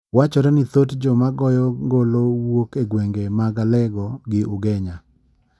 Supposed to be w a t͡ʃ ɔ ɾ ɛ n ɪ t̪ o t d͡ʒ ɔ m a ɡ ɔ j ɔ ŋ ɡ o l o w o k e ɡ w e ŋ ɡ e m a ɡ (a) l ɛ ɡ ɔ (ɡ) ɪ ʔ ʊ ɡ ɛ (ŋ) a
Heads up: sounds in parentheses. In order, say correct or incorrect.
correct, correct, incorrect: ɲ

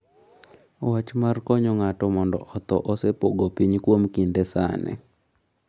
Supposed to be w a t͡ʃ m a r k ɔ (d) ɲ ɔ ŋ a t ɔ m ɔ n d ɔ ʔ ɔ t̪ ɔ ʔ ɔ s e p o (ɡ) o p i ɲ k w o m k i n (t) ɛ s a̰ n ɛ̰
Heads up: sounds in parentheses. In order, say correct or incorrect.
incorrect: none, correct, incorrect: d

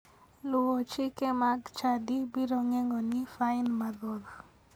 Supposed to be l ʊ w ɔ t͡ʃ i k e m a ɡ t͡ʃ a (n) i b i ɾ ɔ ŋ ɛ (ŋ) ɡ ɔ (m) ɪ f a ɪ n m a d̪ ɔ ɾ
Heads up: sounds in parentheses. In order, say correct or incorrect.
incorrect: d, correct, incorrect: n

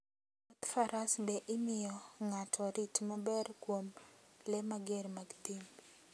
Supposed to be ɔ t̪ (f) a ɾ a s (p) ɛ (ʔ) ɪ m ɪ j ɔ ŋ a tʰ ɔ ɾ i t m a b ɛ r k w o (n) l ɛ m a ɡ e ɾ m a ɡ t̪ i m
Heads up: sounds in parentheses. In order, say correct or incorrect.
correct, incorrect: b, correct, incorrect: m

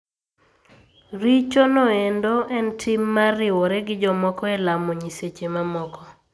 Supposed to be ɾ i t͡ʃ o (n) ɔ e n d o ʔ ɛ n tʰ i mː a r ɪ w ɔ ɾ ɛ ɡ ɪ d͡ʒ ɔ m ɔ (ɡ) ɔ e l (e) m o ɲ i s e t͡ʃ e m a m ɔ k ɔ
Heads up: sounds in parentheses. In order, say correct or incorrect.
correct, incorrect: k, incorrect: a

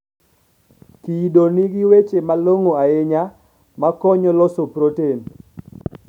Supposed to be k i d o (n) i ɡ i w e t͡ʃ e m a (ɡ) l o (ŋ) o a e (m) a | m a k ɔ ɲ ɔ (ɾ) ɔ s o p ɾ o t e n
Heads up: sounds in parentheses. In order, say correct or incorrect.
correct, incorrect: none, correct, incorrect: ɲ, incorrect: l

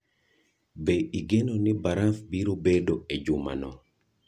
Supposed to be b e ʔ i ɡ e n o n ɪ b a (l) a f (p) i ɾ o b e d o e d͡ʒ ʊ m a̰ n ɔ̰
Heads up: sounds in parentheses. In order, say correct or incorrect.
incorrect: ɾ, incorrect: b

